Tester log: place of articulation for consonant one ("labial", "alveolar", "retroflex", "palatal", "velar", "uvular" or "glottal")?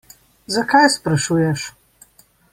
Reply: alveolar